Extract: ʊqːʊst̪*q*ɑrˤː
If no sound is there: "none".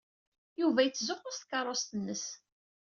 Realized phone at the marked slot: k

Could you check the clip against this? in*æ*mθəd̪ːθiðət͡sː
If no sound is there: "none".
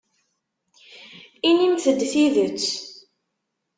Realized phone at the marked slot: i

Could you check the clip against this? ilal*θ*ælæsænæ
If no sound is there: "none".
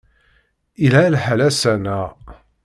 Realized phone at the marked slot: ħ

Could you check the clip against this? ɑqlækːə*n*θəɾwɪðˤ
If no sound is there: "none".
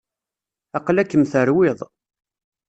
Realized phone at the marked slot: m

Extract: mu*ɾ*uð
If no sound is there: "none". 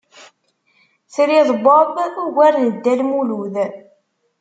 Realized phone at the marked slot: l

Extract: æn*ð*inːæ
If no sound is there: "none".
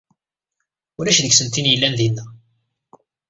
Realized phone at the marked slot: ð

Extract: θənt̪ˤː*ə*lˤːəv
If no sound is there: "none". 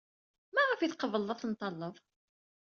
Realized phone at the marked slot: ɑ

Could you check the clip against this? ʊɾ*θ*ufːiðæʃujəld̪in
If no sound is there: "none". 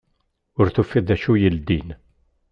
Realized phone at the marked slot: θ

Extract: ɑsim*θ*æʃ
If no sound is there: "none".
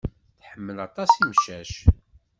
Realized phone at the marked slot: ʃ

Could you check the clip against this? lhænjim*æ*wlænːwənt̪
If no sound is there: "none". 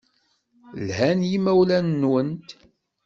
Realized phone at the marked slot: æ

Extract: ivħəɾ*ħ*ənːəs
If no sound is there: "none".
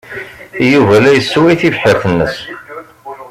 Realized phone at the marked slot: θ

